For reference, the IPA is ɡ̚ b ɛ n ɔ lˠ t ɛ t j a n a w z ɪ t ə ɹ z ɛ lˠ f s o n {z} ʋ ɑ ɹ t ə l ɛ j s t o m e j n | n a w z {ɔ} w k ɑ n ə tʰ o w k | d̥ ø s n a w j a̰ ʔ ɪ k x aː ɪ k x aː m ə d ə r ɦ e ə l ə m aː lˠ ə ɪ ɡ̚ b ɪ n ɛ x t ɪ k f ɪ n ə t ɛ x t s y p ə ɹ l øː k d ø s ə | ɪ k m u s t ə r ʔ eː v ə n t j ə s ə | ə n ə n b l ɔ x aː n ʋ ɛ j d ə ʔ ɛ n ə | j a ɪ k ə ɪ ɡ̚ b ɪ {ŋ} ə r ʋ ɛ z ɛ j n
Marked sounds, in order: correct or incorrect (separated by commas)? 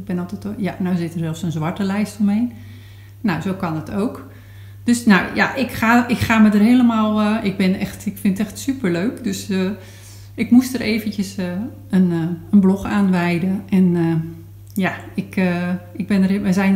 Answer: correct, incorrect, incorrect